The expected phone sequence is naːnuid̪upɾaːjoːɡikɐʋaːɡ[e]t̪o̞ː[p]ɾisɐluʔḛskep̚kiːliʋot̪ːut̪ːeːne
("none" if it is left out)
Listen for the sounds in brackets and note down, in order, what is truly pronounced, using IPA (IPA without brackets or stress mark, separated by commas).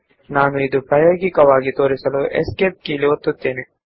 i, none